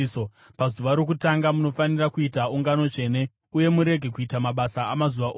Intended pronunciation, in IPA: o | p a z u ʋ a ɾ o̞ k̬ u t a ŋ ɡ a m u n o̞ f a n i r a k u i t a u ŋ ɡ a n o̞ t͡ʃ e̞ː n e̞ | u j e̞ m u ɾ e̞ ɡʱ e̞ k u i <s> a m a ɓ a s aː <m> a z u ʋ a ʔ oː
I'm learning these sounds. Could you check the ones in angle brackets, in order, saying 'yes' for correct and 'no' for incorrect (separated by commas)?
no, yes